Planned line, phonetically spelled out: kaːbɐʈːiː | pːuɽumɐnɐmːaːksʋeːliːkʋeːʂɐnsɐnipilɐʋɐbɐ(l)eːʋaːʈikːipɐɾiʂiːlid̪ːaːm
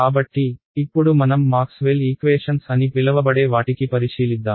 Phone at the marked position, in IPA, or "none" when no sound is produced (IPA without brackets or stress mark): ɽ